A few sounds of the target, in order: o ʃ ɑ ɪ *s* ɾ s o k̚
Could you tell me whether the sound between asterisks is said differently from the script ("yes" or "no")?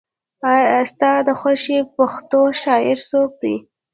yes